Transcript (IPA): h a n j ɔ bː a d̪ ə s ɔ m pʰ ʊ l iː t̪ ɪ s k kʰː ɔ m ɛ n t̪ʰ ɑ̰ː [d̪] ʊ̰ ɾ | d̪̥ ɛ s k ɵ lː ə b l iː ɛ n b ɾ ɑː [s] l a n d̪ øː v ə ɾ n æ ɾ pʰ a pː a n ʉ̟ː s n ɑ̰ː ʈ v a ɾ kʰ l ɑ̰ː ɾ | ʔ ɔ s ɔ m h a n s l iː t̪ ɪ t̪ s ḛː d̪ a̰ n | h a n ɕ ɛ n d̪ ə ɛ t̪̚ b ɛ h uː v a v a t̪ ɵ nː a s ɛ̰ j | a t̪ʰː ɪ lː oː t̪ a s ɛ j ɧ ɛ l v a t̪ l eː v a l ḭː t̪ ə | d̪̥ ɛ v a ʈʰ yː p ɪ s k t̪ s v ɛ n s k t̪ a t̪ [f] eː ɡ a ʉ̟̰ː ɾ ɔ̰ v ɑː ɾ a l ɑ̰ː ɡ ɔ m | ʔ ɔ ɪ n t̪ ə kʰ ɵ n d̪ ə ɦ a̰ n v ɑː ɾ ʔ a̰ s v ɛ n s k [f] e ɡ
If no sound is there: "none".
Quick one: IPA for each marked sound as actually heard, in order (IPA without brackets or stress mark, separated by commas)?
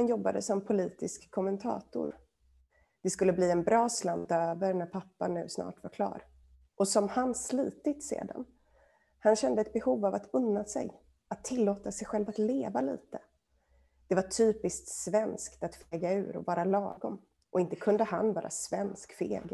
t̪, s, f, f